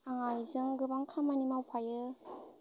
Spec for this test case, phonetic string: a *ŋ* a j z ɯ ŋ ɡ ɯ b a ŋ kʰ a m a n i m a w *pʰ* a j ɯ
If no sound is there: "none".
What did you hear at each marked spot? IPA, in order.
ŋ, pʰ

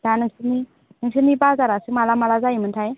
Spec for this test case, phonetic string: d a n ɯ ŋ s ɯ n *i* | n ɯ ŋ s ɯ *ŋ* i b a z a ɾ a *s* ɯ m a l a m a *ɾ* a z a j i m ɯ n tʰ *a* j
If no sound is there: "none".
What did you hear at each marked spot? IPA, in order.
i, n, s, l, a

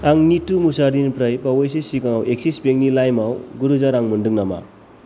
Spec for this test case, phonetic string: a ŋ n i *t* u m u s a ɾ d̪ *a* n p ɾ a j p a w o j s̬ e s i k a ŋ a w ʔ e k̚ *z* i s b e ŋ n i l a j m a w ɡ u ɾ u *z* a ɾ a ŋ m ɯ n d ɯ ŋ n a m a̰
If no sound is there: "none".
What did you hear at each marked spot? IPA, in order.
t, i, s, z

